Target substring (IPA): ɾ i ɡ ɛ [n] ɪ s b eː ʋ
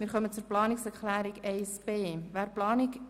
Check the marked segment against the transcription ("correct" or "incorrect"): incorrect